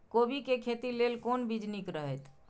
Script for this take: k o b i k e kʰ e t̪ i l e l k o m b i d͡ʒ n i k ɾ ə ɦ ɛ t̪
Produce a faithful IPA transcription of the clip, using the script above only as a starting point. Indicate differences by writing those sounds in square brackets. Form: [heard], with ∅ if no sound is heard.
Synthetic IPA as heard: k o b i k e kʰ e t̪ i l e l k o [n] b i d͡ʒ n i k ɾ ə ɦ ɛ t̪